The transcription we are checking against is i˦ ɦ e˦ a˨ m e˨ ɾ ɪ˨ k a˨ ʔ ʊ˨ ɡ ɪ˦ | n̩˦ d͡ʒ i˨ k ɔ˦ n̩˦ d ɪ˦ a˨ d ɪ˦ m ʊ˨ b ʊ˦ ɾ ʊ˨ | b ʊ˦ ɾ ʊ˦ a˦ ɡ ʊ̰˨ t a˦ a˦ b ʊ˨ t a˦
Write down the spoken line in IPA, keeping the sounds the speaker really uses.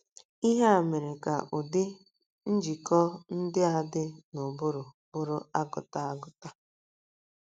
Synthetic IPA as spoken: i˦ ɦ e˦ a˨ m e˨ ɾ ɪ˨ k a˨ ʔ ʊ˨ d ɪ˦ | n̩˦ d͡ʒ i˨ k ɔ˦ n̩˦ d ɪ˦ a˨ d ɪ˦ n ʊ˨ b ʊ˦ ɾ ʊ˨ | b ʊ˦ ɾ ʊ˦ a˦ ɡ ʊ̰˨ t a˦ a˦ ɡ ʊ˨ t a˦